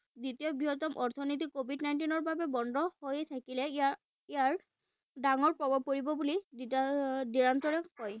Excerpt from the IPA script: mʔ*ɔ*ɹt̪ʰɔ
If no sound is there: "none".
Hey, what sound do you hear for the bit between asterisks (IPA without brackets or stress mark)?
ɔ